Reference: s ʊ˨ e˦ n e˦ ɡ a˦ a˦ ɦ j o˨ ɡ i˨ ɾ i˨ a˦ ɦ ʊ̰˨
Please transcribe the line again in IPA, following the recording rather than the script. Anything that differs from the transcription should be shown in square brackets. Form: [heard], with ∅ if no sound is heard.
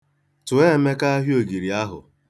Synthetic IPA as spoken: [t] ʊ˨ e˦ [m] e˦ [k] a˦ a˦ ɦ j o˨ ɡ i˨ ɾ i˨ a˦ ɦ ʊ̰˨